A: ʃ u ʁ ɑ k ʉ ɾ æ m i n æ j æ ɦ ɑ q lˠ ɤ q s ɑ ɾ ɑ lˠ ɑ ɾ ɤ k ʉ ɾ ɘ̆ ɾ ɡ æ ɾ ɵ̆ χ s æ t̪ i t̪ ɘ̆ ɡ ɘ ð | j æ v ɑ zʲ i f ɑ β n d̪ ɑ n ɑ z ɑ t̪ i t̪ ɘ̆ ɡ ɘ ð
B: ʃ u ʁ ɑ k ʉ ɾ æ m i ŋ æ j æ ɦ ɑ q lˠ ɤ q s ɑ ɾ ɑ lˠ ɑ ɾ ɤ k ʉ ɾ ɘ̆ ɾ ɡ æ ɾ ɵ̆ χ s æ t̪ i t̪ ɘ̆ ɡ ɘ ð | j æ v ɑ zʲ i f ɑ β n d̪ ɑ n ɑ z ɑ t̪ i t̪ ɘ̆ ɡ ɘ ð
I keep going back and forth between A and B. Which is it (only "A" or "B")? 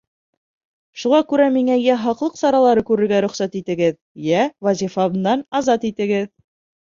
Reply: B